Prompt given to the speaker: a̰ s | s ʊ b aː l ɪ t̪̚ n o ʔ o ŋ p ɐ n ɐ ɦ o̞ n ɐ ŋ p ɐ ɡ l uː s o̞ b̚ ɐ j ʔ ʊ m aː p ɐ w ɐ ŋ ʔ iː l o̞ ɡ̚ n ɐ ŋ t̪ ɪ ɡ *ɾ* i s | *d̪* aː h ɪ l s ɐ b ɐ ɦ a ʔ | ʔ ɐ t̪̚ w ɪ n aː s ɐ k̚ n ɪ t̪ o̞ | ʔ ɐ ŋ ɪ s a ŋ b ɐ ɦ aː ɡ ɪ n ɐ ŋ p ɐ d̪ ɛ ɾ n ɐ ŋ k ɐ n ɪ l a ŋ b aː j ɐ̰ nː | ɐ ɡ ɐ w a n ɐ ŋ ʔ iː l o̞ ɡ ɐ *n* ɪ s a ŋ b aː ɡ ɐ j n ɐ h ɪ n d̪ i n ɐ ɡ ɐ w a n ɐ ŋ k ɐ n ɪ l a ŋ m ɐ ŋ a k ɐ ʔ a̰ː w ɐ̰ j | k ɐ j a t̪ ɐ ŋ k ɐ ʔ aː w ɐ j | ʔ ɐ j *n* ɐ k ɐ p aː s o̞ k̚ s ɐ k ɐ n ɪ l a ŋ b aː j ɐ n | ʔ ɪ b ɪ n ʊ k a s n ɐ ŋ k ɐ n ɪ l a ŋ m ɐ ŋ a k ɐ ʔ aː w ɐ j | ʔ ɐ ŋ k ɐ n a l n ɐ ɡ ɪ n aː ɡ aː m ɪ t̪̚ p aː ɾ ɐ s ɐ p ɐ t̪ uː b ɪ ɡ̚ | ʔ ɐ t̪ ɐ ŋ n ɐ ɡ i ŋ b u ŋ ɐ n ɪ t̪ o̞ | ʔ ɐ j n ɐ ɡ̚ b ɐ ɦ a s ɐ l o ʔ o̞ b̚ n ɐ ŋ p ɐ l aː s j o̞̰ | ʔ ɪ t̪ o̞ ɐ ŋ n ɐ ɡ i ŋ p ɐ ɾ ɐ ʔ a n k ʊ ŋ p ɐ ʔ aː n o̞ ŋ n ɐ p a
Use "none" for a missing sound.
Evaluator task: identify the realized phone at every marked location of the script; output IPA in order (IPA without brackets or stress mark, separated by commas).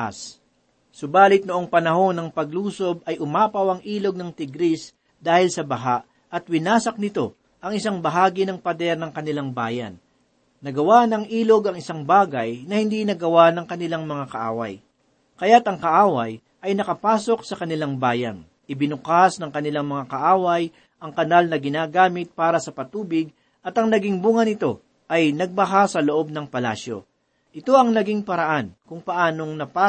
ɾ, d̪, ŋ, n